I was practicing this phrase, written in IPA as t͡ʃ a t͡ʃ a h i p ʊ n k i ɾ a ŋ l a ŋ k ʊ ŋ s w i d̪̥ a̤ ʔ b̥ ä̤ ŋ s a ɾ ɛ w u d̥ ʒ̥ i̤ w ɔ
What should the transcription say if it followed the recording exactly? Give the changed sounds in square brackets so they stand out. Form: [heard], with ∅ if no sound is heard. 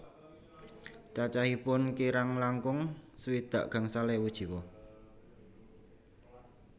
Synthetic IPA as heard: t͡ʃ a t͡ʃ a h i p ʊ n k i ɾ a ŋ l a ŋ k ʊ ŋ s w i d̪̥ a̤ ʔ [ɡ̥] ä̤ ŋ s a [l] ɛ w u d̥ ʒ̥ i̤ w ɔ